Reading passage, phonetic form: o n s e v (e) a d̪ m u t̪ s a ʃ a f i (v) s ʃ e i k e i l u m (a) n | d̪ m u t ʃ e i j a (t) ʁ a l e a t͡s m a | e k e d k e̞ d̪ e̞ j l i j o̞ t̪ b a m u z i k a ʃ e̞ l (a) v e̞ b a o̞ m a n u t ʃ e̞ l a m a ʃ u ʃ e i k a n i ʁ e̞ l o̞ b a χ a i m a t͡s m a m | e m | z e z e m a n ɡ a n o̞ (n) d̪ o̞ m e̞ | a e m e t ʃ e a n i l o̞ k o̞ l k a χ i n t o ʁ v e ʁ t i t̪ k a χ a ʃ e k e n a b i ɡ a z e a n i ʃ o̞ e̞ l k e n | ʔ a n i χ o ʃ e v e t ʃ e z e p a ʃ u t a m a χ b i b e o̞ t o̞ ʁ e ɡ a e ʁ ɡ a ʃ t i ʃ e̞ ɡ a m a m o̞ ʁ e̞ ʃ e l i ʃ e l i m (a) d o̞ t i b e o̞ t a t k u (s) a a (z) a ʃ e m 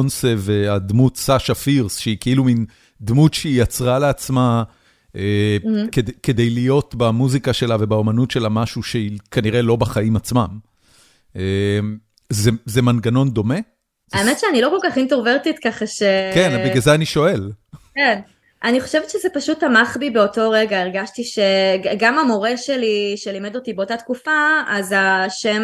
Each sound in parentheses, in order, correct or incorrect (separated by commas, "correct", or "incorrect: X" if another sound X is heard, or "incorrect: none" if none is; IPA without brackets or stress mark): correct, incorrect: ʁ, incorrect: i, incorrect: t͡s, correct, correct, incorrect: e, incorrect: f, correct